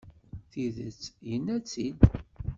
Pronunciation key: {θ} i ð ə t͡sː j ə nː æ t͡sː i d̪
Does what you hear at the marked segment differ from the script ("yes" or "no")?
no